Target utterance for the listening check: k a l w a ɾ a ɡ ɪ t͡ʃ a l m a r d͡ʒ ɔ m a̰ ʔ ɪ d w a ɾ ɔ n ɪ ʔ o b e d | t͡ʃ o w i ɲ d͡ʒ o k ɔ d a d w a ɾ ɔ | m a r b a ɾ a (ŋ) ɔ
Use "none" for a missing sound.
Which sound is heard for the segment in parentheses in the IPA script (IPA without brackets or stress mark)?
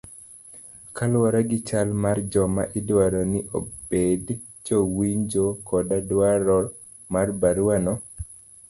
n